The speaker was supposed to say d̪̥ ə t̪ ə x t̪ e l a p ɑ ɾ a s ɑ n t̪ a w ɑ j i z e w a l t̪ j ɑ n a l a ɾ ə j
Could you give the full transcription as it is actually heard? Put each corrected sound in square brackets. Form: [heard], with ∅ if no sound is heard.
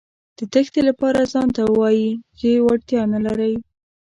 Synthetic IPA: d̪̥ ə t̪ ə x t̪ e l a p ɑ ɾ a [z] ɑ n t̪ a w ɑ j i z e w a [ɽ] t̪ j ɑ n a l a ɾ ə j